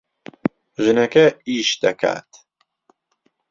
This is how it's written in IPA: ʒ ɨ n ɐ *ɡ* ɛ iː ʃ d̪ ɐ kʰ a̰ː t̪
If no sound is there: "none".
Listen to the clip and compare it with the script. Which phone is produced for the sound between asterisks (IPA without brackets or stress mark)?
k